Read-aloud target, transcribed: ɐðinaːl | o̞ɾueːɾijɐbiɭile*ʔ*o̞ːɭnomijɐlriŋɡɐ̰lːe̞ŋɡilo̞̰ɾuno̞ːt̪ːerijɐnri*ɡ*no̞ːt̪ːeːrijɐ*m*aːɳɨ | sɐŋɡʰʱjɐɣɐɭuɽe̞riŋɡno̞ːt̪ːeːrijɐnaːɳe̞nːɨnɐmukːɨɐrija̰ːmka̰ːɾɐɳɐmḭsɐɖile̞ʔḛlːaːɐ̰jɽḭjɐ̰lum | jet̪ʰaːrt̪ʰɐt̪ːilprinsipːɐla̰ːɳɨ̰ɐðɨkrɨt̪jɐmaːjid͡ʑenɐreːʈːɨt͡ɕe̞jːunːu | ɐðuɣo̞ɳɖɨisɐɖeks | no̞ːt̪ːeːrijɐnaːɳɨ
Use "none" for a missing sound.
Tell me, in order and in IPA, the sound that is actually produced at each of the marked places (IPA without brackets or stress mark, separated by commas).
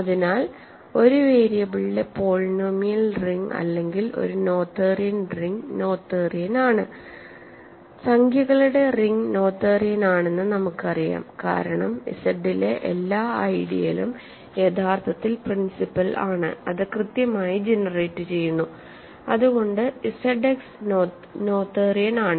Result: p, ŋ, n